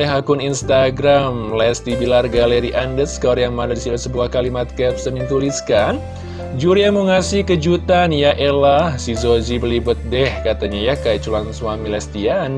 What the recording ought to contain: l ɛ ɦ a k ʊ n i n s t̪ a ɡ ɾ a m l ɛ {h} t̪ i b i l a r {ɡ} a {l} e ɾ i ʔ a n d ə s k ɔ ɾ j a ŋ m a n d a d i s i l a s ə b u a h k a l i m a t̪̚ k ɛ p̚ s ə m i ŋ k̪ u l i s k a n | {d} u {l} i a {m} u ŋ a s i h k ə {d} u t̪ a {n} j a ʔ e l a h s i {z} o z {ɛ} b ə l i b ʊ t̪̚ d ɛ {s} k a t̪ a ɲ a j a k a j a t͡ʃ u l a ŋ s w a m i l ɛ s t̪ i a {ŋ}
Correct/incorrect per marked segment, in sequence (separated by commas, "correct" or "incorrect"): incorrect, correct, correct, incorrect, incorrect, correct, incorrect, correct, correct, incorrect, incorrect, incorrect